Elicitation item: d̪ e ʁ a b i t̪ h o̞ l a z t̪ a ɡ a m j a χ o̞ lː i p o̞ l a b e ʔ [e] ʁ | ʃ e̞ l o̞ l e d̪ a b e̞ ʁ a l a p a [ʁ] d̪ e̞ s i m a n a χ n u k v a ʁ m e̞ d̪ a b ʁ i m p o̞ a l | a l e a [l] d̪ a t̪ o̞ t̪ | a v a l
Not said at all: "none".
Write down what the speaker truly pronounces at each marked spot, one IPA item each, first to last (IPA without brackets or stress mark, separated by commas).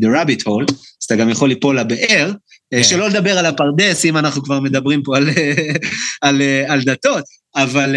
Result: e, ʁ, l